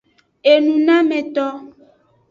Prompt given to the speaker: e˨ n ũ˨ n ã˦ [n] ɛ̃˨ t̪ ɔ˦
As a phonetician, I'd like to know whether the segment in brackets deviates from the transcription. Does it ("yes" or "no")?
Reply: yes